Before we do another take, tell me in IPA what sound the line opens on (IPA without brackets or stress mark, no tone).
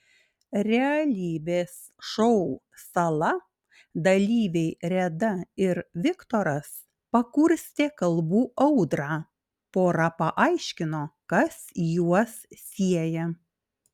ɾʲ